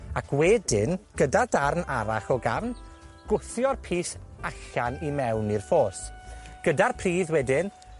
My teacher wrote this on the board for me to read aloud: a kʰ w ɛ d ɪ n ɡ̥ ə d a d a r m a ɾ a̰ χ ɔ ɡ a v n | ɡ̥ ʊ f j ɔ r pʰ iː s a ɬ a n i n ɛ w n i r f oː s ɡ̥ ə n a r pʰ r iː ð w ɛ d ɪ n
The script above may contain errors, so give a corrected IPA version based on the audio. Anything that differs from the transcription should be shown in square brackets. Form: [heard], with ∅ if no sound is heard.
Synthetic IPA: a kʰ w ɛ d ɪ n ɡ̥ ə d a d a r [n] a ɾ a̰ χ ɔ ɡ a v n | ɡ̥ ʊ [θ] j ɔ r pʰ iː s a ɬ a n i [m] ɛ w n i r f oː s ɡ̥ ə [d] a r pʰ r iː ð w ɛ d ɪ n